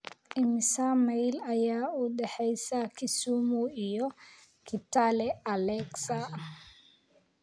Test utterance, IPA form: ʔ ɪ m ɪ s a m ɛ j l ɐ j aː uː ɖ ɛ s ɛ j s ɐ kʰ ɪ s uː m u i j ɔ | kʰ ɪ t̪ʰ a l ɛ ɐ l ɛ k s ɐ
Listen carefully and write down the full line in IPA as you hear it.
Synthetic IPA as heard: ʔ ɪ m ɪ s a m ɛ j l ɐ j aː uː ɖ ɛ ħ ɛ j s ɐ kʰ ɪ s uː m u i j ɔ | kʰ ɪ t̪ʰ a l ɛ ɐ l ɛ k s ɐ